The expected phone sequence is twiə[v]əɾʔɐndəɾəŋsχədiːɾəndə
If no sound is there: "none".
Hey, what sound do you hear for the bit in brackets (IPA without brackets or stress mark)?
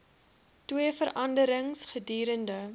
f